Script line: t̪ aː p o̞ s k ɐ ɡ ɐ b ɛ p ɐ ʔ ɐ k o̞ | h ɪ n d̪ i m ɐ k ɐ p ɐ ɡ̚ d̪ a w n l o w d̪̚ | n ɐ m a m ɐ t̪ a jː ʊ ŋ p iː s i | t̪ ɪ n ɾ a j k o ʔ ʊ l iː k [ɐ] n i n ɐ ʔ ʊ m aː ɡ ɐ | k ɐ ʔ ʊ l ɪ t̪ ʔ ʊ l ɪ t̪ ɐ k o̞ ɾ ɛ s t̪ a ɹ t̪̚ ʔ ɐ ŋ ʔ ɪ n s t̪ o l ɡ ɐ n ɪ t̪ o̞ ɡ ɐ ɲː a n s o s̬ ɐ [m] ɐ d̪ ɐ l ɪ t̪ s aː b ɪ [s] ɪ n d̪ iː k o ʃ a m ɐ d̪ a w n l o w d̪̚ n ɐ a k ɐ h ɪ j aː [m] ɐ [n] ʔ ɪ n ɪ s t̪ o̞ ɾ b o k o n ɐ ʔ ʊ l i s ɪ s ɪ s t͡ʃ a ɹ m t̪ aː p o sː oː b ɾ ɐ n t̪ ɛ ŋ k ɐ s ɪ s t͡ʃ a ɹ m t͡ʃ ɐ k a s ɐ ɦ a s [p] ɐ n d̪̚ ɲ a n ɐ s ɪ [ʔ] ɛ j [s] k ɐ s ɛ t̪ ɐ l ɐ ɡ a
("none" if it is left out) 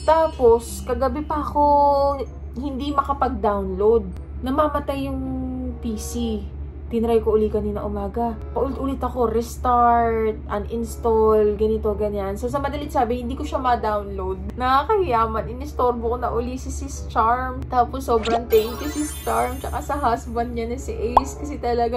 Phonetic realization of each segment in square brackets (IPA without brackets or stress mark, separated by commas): ɐ, m, h, m, n, b, ʔ, s